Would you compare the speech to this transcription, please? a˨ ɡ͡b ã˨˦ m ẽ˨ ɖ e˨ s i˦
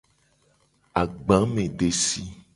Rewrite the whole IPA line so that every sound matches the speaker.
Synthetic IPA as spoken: a˨ ɡ͡b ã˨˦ m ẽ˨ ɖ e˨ s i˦